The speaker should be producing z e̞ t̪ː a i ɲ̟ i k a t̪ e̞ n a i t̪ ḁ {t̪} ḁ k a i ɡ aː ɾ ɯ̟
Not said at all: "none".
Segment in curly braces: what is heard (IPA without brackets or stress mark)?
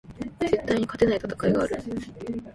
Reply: t̪